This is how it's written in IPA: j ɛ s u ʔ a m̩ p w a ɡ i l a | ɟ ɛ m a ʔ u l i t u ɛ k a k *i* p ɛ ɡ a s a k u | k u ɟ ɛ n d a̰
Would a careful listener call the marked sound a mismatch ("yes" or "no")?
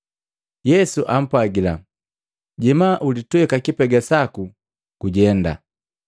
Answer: no